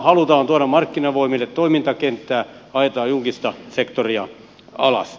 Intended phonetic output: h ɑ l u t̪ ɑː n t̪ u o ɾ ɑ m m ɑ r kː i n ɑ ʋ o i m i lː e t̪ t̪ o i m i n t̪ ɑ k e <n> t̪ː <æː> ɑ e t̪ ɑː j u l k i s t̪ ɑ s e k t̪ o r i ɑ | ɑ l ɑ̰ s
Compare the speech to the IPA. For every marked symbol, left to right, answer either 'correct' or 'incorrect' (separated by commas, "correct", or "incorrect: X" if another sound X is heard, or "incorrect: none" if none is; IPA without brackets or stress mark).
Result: correct, correct